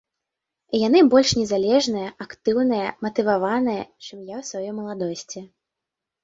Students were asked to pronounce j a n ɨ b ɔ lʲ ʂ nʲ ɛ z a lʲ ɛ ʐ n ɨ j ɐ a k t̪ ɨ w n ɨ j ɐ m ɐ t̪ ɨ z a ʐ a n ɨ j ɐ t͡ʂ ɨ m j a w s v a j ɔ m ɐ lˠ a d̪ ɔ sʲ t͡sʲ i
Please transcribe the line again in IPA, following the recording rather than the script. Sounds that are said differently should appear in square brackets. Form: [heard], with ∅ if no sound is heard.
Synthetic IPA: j a n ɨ b ɔ lʲ ʂ nʲ ɛ z a lʲ ɛ ʐ n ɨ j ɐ a k t̪ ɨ w n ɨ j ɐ m ɐ t̪ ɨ [v] a [v] a n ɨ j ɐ t͡ʂ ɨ m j a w s v a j ɔ m ɐ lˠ a d̪ ɔ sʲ t͡sʲ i